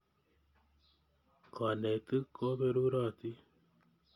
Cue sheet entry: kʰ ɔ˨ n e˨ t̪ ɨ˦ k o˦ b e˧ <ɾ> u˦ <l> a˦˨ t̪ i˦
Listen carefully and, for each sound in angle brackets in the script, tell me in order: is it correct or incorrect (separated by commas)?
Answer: correct, incorrect